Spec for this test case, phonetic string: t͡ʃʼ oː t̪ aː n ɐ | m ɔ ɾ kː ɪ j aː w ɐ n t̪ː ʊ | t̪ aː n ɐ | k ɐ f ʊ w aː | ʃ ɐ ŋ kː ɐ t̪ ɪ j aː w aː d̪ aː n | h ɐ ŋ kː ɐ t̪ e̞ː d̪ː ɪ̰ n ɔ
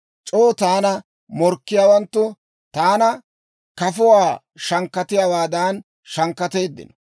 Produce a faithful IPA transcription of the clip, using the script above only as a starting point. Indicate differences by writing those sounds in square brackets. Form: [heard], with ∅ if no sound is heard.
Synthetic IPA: t͡ʃʼ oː t̪ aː n ɐ | m ɔ ɾ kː ɪ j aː w ɐ n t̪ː ʊ | t̪ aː n ɐ | k ɐ f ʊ w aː | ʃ ɐ ŋ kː ɐ t̪ ɪ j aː w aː d̪ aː n | [ʃ] ɐ ŋ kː ɐ t̪ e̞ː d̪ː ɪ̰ n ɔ